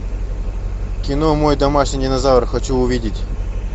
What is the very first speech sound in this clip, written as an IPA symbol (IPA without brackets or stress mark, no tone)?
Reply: kʲ